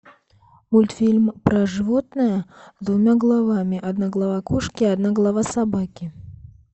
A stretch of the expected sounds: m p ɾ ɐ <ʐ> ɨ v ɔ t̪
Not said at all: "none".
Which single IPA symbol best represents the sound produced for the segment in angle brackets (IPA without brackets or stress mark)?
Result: ʐ